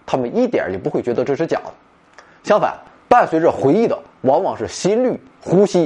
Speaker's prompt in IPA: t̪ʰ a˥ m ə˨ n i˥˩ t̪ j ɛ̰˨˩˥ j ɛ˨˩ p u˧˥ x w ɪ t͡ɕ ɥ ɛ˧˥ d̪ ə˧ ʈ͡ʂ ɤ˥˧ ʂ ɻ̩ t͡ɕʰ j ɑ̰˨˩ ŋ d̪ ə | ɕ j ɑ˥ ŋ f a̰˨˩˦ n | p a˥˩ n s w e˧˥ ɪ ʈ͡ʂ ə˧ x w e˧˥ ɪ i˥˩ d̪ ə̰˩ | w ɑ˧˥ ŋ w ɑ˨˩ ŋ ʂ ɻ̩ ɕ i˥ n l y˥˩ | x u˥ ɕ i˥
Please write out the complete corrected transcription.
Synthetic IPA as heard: t̪ʰ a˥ m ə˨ n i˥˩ t̪ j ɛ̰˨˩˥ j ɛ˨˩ p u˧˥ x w ɪ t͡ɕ ɥ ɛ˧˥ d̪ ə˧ ʈ͡ʂ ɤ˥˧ ʂ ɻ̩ t͡ɕ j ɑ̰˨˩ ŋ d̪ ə | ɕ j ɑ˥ ŋ f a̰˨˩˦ n | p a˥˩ n s w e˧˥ ɪ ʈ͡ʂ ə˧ x w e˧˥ ɪ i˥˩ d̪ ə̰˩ | w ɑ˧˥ ŋ w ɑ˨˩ ŋ ʂ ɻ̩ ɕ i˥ n l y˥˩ | x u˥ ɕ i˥